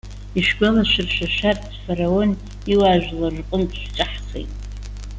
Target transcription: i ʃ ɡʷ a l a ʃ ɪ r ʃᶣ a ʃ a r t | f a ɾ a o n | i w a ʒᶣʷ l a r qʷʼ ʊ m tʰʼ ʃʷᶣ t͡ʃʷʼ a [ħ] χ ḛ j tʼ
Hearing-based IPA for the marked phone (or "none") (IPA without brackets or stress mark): ħ